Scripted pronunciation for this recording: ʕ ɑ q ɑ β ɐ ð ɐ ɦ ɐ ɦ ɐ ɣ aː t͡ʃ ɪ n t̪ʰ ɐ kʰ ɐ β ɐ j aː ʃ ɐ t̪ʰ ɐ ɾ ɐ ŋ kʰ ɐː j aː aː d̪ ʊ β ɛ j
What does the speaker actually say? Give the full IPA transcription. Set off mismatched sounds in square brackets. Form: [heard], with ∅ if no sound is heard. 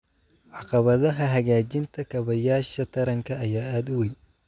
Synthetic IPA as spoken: ʕ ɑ q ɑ β ɐ ð ɐ ɦ ɐ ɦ ɐ ɣ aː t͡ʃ ɪ n t̪ʰ ɐ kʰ ɐ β ɐ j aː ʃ ɐ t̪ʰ ɐ ɾ ɐ ŋ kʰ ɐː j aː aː d̪ ʊ [w] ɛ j